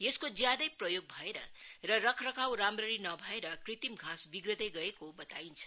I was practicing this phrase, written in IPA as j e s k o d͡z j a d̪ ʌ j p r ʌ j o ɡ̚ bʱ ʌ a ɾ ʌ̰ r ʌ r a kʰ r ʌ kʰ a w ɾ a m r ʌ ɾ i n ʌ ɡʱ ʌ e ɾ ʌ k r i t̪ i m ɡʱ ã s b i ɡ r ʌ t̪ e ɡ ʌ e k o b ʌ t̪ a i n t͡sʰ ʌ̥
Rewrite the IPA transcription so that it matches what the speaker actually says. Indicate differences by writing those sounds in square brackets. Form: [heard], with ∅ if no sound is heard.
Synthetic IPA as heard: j e s k o d͡z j a d̪ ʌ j p r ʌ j o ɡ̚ bʱ ʌ [e] ɾ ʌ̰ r ʌ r [ʌ] kʰ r ʌ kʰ a w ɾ a m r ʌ ɾ i n ʌ [bʱ] ʌ e ɾ ʌ k r i t̪ i m ɡʱ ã s b i ɡ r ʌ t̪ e ɡ ʌ e k o b ʌ t̪ a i n t͡sʰ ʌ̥